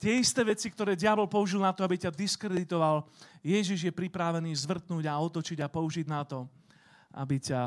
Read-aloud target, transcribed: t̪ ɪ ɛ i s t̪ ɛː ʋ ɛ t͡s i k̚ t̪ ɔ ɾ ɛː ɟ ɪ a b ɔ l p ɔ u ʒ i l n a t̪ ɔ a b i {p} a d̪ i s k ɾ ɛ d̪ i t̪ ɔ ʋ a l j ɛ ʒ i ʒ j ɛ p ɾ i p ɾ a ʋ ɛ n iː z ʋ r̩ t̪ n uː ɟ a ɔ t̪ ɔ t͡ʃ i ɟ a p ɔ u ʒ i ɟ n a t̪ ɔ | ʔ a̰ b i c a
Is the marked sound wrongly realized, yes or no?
yes